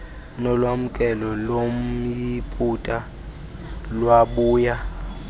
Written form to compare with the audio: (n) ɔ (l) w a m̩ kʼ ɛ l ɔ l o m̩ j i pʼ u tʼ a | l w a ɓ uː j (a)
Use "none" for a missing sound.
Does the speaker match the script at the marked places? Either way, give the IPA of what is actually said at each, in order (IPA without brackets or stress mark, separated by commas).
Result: n, l, a